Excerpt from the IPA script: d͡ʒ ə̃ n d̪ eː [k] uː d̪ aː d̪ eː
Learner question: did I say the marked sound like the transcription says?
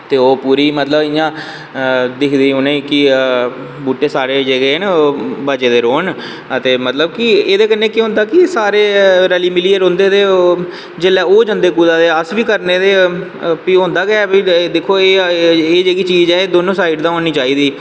yes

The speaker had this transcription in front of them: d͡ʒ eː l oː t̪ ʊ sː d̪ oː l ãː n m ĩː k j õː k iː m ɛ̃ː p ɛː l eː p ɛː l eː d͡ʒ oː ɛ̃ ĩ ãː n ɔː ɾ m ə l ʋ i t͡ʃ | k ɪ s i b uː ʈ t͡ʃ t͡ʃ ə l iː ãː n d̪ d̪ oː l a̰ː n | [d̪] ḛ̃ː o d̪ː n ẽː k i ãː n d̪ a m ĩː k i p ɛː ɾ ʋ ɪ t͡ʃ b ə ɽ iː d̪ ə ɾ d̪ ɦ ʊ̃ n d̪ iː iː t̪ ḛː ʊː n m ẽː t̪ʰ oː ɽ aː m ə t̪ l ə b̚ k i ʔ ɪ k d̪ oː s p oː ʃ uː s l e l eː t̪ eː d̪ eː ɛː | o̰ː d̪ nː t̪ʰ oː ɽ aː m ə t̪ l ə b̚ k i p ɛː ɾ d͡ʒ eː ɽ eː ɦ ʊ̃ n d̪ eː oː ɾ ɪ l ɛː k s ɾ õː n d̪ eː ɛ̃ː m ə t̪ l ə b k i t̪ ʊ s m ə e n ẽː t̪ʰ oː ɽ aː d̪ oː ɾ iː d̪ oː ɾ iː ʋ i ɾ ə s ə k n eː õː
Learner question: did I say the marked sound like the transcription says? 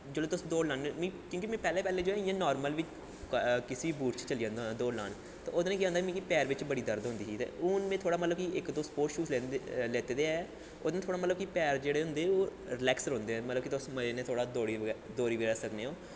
no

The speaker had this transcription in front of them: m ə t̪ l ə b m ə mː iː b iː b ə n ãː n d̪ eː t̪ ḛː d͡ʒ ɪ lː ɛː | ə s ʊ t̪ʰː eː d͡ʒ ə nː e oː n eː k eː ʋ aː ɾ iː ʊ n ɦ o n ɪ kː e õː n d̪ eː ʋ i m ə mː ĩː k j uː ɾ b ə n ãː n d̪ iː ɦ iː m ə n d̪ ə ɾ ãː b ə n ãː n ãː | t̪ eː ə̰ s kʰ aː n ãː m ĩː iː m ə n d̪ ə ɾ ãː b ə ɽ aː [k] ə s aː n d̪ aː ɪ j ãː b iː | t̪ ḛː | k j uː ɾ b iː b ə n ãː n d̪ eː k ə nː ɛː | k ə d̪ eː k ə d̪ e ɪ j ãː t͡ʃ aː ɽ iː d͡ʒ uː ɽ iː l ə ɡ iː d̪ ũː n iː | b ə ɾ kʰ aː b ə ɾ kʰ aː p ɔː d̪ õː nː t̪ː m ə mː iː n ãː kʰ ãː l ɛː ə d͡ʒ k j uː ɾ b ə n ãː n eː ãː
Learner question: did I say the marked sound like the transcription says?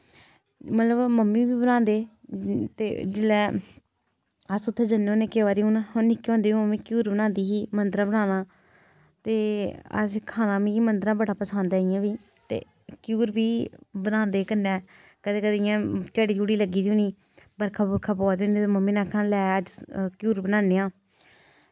no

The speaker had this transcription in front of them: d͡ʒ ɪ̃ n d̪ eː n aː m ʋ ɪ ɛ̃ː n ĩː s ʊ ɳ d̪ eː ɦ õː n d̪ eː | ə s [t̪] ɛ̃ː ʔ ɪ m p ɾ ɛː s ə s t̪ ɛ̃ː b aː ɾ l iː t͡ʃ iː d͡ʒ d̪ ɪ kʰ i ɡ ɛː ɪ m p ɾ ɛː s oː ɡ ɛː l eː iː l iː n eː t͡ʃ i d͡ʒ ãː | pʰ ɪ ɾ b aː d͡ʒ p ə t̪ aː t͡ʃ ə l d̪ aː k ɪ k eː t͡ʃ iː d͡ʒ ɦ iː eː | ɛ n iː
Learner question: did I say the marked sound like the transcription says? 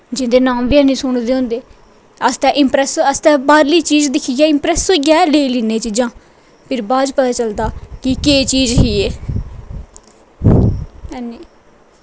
yes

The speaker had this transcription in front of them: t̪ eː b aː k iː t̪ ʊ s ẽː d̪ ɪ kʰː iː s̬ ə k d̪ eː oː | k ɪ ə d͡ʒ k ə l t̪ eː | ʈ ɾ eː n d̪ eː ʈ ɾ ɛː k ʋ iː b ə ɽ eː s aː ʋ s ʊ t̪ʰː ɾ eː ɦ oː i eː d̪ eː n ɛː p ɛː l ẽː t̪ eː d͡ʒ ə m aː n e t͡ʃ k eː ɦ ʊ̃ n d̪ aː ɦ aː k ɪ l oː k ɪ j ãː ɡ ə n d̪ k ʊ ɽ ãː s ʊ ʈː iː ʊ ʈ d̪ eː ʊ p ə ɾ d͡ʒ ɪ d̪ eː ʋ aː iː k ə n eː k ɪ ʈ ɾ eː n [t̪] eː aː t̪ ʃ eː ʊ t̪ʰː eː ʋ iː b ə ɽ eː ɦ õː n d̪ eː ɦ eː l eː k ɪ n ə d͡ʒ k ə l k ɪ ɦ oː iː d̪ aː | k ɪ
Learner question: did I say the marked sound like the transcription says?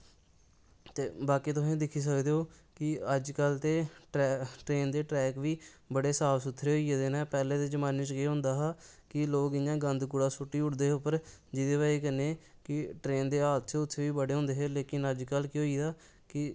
no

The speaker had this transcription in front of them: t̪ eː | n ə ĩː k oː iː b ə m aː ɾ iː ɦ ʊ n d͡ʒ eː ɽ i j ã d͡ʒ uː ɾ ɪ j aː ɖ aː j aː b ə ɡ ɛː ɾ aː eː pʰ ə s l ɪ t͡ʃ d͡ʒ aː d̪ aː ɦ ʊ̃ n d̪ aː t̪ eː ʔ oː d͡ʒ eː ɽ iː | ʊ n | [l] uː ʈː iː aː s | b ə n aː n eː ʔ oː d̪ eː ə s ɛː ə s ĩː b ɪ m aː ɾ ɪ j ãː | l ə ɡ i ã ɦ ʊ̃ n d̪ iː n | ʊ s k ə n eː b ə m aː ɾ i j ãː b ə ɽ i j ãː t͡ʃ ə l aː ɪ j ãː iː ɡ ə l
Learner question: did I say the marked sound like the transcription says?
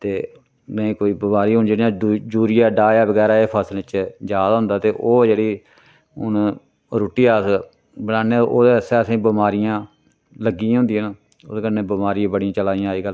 no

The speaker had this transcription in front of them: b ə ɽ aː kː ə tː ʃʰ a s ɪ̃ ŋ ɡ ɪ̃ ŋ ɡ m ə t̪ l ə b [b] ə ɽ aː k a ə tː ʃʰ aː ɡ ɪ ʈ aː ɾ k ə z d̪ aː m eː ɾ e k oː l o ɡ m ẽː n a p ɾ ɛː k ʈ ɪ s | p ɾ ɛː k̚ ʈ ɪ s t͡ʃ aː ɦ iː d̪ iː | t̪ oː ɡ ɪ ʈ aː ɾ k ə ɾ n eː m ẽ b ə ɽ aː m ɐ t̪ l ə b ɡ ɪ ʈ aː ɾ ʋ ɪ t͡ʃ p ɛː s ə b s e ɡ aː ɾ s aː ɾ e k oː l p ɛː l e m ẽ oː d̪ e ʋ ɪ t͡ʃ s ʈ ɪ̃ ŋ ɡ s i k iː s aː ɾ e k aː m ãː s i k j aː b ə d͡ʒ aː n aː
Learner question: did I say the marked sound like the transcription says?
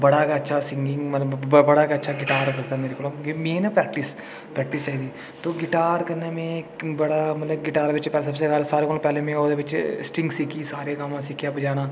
yes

